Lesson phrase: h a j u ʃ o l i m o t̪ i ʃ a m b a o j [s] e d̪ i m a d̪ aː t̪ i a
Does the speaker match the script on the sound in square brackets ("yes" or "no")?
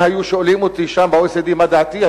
yes